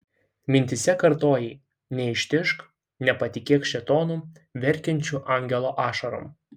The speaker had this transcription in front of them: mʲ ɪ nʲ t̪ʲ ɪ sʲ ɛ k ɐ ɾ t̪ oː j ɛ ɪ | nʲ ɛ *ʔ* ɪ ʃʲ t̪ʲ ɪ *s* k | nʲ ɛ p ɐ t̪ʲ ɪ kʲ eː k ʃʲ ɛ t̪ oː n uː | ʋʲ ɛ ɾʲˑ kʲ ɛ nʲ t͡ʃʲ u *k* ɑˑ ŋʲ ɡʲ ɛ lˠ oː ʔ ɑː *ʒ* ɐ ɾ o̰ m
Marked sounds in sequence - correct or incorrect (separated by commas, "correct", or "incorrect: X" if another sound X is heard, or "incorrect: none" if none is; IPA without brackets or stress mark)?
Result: incorrect: none, incorrect: ʃ, incorrect: ʔ, incorrect: ʃ